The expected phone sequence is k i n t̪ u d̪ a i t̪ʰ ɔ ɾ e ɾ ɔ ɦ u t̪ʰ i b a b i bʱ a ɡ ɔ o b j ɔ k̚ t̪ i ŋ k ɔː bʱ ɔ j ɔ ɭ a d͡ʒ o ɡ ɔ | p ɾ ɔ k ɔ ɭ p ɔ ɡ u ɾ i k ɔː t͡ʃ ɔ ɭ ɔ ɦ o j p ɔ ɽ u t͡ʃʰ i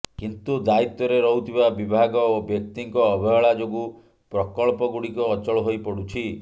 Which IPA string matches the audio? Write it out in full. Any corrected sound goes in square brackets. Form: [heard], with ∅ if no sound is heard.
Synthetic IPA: k i n t̪ u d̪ a i [t̪] ɔ ɾ e ɾ ɔ ɦ u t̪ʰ i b a b i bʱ a ɡ ɔ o b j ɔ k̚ t̪ i ŋ k ɔː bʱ ɔ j ɔ ɭ a d͡ʒ o ɡ [u] | p ɾ ɔ k ɔ ɭ p ɔ ɡ u [ɽ] i k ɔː t͡ʃ ɔ ɭ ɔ ɦ o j p ɔ ɽ u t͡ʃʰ i